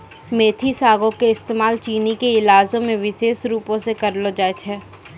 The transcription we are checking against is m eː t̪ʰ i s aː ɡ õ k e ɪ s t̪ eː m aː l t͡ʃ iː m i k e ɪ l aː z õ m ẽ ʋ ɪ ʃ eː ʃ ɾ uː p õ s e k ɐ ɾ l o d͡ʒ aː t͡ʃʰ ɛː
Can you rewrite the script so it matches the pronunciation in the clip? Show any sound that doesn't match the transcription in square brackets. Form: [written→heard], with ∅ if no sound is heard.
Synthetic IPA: m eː t̪ʰ i s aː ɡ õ k e ɪ s t̪ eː m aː l t͡ʃ iː [m→n] i k e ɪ l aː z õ m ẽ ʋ ɪ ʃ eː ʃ ɾ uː p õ s e k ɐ ɾ l o d͡ʒ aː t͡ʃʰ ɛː